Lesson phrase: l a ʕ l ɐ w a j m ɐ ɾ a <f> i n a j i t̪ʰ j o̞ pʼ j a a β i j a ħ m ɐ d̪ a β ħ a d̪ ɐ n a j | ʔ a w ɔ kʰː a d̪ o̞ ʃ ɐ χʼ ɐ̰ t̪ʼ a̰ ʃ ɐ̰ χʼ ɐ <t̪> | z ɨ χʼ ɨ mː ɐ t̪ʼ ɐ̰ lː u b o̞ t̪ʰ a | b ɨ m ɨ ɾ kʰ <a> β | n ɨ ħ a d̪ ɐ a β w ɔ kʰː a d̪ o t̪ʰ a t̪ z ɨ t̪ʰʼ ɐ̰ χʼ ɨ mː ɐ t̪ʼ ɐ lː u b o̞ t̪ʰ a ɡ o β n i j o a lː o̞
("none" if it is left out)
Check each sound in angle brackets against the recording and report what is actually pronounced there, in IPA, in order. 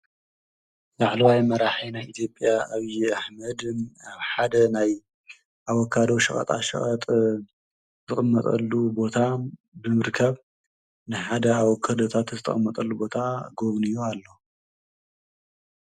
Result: ħ, t̪ʼ, ɐ

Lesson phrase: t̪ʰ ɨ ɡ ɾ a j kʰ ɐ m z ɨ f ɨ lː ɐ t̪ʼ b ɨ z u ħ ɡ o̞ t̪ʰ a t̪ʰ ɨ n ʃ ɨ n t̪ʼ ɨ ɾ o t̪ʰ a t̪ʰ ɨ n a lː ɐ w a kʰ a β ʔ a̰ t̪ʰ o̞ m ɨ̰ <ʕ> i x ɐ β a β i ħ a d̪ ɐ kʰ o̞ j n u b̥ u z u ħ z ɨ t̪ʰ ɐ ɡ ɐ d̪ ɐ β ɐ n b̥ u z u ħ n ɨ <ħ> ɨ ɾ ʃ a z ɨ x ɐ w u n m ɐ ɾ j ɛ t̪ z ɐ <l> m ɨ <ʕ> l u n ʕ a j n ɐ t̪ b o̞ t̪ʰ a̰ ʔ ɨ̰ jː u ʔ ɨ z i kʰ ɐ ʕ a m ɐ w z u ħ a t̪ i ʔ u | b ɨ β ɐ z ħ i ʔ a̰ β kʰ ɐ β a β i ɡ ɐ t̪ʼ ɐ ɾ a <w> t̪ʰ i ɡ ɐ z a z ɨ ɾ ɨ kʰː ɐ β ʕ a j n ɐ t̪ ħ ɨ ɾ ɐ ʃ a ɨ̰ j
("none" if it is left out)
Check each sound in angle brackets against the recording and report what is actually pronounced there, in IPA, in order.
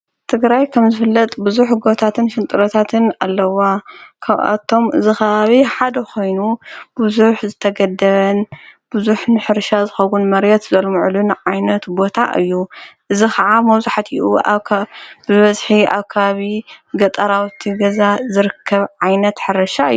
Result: z, ħ, l, ʕ, w

